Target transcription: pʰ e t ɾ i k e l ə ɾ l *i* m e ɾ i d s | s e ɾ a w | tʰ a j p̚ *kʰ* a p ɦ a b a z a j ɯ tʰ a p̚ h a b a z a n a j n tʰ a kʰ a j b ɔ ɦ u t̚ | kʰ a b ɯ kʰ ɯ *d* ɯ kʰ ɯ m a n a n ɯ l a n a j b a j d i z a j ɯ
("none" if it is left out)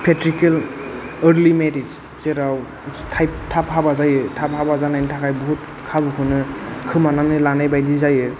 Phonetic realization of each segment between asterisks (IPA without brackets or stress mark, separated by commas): i, tʰ, n